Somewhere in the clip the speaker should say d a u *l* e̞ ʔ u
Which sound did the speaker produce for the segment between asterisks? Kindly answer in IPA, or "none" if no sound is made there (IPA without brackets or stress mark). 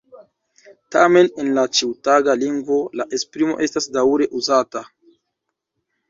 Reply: ɾ